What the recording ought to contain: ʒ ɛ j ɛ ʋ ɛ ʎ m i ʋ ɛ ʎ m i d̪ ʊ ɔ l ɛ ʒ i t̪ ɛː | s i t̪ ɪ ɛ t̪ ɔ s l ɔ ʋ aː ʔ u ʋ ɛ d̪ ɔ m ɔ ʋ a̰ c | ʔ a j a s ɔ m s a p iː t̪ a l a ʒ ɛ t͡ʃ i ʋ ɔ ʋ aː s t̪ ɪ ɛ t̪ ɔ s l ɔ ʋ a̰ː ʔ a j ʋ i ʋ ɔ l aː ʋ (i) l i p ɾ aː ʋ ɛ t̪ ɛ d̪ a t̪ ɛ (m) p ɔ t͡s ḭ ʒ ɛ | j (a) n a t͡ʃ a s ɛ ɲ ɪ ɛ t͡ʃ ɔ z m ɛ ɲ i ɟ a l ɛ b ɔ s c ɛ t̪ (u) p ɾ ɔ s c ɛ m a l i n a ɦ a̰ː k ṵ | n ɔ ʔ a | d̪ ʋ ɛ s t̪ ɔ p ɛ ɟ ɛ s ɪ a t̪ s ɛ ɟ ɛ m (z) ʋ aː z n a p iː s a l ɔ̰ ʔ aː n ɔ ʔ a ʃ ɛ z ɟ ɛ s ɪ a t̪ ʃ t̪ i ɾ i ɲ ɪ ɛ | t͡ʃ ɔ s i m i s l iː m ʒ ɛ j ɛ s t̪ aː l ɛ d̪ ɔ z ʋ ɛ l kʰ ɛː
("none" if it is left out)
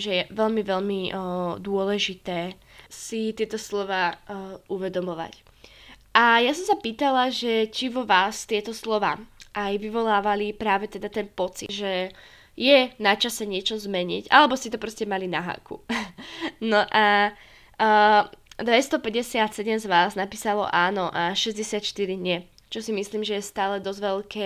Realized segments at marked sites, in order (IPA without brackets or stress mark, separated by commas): a, n, ɛ, ɔ, z